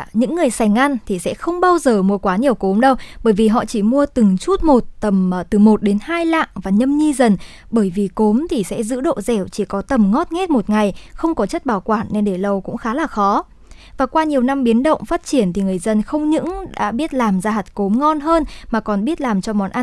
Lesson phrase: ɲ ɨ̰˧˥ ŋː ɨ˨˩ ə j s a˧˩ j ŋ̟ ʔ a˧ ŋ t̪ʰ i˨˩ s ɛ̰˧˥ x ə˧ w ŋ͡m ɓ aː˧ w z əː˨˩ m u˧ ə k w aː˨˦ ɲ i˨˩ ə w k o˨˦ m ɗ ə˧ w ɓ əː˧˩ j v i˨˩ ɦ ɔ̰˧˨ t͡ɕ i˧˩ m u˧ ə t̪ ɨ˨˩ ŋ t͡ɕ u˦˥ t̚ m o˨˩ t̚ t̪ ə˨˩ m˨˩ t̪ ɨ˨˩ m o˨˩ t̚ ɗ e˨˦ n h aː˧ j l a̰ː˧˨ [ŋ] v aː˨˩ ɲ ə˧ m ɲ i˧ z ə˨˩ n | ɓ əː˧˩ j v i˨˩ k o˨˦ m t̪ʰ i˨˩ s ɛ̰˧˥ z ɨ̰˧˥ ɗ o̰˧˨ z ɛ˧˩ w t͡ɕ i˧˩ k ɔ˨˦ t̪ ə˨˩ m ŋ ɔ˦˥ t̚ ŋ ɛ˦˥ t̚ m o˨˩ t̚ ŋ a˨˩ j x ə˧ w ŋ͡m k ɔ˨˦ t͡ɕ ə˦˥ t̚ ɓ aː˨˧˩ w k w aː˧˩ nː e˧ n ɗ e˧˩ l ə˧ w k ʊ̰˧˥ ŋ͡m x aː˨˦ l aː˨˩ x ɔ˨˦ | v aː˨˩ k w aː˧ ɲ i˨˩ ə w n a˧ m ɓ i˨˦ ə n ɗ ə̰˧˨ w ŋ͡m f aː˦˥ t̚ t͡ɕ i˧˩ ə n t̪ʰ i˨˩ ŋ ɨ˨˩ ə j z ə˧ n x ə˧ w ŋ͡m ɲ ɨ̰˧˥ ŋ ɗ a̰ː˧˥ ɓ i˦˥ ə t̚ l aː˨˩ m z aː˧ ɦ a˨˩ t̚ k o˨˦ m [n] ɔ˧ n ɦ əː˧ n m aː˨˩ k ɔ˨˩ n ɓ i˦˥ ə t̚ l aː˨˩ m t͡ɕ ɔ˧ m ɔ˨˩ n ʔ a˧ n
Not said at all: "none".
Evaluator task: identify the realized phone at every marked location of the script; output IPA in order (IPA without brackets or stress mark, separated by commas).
ŋ, ŋ